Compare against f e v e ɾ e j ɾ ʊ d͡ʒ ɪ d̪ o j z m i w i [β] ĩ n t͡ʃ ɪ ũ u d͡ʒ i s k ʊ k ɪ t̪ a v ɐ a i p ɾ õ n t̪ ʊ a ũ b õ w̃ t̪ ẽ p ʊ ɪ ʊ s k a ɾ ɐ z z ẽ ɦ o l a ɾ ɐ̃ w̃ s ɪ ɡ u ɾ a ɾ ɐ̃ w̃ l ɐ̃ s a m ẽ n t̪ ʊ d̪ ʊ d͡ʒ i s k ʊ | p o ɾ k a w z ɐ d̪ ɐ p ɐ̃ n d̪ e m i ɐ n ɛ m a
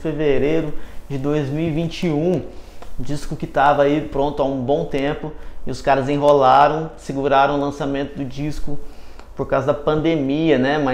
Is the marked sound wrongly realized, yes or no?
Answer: yes